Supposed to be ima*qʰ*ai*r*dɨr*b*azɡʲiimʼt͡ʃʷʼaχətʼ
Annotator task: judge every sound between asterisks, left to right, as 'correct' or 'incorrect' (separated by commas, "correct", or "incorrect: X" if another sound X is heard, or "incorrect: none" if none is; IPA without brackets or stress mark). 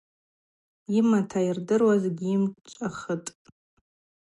incorrect: tʰ, correct, incorrect: w